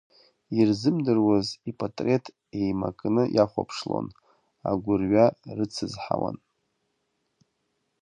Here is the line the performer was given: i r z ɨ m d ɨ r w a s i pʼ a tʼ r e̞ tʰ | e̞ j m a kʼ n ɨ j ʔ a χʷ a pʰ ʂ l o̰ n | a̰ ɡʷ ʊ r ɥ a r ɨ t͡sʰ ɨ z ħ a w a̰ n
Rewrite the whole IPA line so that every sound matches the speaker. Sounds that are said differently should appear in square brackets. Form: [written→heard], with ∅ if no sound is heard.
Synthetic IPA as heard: i r z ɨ m d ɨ r w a [s→z] i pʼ a tʼ r e̞ tʰ | e̞ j m a kʼ n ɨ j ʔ a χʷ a pʰ ʂ l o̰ n | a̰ ɡʷ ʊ r ɥ a r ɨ t͡sʰ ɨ z ħ a w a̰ n